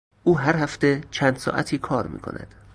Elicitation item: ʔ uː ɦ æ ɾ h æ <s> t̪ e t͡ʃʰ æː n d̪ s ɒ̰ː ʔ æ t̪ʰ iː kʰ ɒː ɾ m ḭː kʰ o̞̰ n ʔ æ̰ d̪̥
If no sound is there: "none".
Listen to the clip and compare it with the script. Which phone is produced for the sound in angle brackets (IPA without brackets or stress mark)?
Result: f